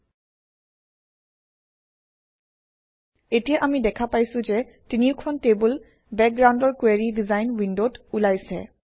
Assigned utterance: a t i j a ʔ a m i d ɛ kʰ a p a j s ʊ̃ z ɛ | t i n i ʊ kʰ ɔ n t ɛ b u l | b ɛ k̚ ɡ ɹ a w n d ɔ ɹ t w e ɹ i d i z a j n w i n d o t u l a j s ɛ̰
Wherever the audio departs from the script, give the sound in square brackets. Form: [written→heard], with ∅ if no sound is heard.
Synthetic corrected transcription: [a→e] t i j a ʔ a m i d ɛ kʰ a p a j s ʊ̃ z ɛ | t i n i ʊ kʰ ɔ n t [ɛ→e] b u l | b ɛ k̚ ɡ ɹ a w n d ɔ ɹ [t→k] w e ɹ i d i z a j n w i n d o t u l a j s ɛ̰

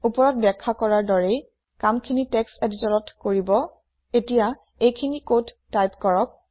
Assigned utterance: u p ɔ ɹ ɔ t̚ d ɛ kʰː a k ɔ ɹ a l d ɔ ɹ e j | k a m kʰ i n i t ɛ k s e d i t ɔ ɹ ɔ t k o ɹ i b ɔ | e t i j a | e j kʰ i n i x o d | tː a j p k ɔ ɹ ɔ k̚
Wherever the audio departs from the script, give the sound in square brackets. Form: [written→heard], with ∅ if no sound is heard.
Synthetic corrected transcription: u p ɔ ɹ ɔ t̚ [d→b] ɛ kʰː a k ɔ ɹ a [l→ɹ] d ɔ ɹ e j | k a m kʰ i n i t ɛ k s e d i t ɔ ɹ ɔ t k o ɹ i b ɔ | e t i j a | e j kʰ i n i [x→k] o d | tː a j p k ɔ ɹ ɔ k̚

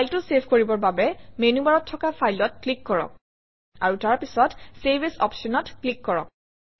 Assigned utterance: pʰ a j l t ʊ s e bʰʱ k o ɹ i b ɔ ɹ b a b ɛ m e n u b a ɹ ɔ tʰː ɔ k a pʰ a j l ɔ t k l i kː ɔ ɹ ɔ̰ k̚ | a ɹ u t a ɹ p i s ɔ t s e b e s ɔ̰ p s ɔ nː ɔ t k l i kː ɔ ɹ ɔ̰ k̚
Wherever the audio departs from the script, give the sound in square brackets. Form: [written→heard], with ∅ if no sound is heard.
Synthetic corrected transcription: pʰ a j l t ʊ s e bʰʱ k o ɹ i b ɔ ɹ b a b ɛ m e n u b a ɹ ɔ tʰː ɔ k a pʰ a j l ɔ t k l i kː ɔ ɹ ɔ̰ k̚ | a ɹ u t a ɹ p i s ɔ t s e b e s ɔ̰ p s ɔ [nː→n] ɔ t k l i kː ɔ ɹ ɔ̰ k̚

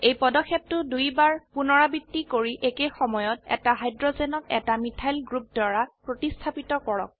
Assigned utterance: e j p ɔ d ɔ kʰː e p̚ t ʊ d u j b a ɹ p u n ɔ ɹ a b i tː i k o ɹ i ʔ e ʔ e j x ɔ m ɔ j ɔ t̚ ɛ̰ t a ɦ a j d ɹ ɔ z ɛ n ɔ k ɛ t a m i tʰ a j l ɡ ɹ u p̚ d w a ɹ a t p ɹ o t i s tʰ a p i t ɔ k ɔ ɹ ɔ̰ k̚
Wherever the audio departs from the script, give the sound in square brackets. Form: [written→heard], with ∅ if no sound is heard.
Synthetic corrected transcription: e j p ɔ d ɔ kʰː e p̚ t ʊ d u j b a ɹ p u n ɔ ɹ a b i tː i k o ɹ i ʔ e [ʔ→k] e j x ɔ m ɔ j ɔ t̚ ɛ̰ t a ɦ a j d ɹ ɔ z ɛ n ɔ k ɛ t a m i tʰ a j l ɡ ɹ u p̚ d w a ɹ a [t→∅] p ɹ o t i s tʰ a p i t ɔ k ɔ ɹ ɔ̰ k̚

